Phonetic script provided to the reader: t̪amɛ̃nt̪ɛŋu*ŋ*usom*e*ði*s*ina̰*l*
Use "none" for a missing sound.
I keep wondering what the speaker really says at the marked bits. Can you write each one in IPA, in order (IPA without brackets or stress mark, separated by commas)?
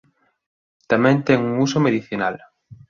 ŋ, e, θ, l